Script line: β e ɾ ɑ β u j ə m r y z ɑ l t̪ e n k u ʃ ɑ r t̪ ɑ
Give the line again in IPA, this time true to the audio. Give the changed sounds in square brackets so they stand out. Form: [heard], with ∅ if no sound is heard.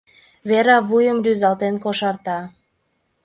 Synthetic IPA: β e ɾ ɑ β u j ə m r y z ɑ l t̪ e n k [o] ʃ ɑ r t̪ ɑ